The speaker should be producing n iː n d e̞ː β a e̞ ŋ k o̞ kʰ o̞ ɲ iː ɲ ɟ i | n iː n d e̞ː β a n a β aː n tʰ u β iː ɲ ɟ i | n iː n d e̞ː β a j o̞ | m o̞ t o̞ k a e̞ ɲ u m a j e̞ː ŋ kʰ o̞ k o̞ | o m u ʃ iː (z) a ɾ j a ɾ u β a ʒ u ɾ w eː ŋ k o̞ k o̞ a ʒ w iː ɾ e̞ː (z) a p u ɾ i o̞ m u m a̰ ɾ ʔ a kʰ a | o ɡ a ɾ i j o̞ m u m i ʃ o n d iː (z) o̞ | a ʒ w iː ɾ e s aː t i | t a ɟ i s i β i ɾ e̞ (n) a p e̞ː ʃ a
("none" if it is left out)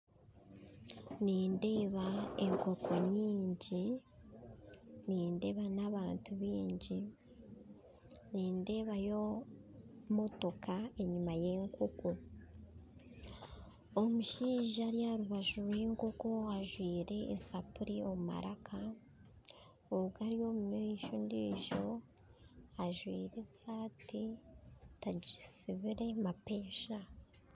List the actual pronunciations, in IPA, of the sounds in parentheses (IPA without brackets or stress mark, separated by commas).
ʒ, s, ʒ, m